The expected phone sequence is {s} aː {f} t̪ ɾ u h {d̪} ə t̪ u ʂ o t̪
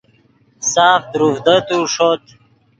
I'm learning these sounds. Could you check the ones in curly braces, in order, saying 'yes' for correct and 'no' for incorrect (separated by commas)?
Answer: yes, yes, yes